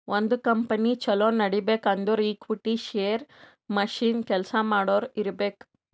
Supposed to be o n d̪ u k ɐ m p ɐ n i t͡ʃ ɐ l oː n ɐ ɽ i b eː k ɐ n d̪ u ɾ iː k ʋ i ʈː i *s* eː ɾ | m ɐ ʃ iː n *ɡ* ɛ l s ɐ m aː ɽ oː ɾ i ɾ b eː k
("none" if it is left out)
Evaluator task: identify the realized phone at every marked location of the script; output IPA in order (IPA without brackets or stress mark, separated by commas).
ʃ, k